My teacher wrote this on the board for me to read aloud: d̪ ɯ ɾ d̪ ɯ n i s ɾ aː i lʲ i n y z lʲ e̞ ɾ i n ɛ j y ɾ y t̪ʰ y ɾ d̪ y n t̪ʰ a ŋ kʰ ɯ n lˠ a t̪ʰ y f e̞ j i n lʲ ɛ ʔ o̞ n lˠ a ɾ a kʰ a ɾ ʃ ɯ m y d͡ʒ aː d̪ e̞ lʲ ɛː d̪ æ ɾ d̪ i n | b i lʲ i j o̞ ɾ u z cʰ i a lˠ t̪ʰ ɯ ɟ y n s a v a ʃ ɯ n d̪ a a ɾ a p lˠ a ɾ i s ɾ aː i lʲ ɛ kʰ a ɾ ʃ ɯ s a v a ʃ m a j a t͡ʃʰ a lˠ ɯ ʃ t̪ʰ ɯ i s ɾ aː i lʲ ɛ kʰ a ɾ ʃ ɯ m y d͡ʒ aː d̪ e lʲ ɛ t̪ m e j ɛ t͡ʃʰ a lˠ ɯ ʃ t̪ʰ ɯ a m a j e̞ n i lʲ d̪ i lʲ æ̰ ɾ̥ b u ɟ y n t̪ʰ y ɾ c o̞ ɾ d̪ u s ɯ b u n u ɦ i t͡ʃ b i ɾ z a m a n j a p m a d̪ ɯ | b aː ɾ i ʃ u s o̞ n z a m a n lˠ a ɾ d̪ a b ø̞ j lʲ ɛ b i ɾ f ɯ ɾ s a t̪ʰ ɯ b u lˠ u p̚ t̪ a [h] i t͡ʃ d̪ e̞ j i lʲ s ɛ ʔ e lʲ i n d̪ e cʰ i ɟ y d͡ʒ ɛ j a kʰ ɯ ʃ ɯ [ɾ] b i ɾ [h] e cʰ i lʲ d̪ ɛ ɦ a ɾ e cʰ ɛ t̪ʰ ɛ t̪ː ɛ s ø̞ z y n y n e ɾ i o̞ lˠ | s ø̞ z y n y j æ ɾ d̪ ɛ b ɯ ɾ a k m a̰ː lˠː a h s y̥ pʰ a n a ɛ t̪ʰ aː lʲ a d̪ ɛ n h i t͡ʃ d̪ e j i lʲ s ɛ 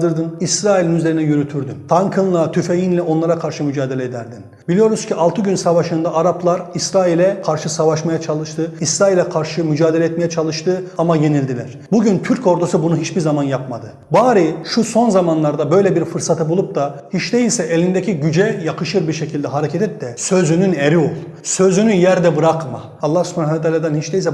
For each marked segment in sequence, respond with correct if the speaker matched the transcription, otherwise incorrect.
correct, correct, incorrect: ʃ

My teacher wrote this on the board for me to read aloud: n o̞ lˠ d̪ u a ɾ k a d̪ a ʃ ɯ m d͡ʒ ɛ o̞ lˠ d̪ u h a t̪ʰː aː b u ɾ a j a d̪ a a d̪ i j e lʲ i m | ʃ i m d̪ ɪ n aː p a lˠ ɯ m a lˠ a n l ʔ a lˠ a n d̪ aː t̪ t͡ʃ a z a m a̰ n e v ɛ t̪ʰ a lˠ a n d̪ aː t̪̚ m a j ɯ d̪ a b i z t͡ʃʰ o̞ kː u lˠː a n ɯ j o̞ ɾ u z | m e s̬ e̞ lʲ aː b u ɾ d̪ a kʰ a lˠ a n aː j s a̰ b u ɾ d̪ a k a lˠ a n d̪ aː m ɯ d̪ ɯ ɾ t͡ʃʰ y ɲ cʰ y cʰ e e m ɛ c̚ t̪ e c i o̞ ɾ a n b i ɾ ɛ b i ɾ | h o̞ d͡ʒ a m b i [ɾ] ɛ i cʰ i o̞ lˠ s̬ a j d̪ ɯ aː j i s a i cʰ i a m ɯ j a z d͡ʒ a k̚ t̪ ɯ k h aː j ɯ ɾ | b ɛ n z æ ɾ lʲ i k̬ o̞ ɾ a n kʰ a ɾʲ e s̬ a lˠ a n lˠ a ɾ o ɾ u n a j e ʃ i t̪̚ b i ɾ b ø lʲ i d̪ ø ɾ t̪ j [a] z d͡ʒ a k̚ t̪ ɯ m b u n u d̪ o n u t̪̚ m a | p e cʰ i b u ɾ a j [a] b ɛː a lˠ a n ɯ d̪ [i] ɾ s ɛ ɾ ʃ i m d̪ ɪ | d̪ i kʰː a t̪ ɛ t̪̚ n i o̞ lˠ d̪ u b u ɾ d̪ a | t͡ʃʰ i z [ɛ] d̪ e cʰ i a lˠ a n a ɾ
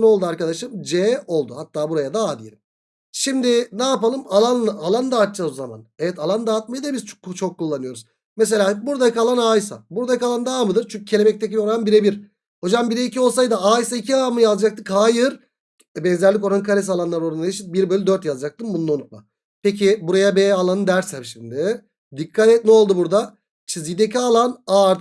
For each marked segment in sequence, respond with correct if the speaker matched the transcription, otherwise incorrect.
correct, correct, correct, incorrect: æ, incorrect: i

